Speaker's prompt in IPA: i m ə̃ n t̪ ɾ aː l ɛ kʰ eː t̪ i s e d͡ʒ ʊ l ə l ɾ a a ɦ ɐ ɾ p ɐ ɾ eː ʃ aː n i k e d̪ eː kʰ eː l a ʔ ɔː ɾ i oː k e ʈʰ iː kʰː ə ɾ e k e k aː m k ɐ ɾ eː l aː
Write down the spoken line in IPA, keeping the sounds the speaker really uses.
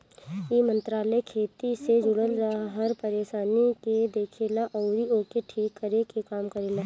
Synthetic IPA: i m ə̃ n t̪ ɾ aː l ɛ kʰ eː t̪ i s e d͡ʒ ʊ ɽ ə l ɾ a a ɦ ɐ ɾ p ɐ ɾ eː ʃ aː n i k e d̪ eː kʰ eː l a ʔ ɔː ɾ i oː k e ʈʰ iː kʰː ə ɾ e k e k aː m k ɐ ɾ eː l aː